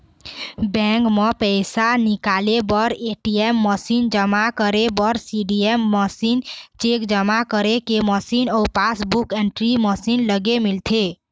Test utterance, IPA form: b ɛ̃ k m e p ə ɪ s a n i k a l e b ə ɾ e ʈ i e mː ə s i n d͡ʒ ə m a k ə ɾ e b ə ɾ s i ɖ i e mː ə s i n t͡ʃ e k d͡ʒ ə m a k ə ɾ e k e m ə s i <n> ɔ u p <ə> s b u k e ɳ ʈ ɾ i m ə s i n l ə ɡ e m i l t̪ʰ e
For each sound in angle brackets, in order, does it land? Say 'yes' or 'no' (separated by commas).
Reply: yes, no